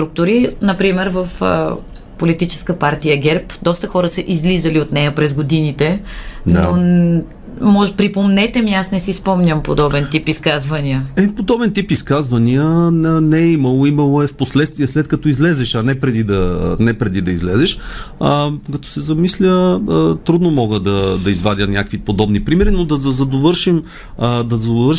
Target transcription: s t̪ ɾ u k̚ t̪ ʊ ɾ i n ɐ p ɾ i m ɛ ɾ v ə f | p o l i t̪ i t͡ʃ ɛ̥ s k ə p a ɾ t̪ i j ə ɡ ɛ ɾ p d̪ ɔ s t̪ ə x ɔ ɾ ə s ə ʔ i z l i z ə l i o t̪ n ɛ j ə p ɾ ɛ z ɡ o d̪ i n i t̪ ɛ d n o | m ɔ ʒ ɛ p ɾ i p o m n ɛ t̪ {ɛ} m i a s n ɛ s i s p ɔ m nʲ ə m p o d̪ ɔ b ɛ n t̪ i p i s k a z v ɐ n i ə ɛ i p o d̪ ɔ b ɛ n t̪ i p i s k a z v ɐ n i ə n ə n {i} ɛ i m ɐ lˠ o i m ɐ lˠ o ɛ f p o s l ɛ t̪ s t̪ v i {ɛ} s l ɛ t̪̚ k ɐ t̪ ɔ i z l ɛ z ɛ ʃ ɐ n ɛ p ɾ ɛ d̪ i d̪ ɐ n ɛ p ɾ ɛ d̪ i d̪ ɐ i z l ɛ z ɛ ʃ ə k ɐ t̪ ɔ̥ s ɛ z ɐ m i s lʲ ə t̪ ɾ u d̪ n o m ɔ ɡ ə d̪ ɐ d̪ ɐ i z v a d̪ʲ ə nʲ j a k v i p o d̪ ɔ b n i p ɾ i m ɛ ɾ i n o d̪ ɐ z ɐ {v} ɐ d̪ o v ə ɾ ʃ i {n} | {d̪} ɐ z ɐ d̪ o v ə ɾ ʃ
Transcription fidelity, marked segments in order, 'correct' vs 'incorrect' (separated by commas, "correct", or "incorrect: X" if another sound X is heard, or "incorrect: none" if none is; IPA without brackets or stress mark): correct, incorrect: ɛ, correct, incorrect: z, incorrect: m, correct